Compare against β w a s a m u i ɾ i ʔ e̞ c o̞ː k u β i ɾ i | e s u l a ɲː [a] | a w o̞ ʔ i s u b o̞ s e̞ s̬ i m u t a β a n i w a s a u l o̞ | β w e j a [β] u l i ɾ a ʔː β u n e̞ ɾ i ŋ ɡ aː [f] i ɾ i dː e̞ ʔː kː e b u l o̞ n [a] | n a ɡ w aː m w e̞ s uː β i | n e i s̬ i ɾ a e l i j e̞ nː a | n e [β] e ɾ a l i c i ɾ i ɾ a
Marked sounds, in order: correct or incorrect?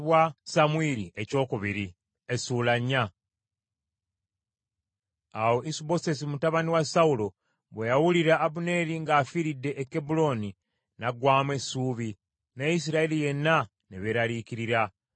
correct, incorrect: w, correct, incorrect: i, correct

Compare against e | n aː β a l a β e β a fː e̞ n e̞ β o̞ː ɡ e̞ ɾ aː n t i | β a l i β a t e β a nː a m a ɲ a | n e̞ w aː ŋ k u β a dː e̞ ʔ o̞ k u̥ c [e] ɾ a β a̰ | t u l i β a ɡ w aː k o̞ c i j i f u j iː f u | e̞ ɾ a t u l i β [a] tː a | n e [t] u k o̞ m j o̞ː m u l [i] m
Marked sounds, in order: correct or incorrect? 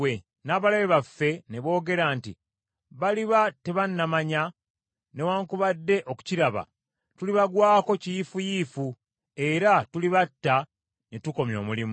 incorrect: i, correct, correct, correct

